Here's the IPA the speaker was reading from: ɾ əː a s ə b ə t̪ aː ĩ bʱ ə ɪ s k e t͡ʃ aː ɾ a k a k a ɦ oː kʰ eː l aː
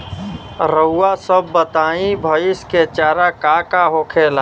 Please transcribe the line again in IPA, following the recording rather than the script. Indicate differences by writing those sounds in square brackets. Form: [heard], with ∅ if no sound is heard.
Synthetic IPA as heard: ɾ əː a s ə [bː] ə t̪ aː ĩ bʱ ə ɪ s k e t͡ʃ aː ɾ a k a k a ɦ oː kʰ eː l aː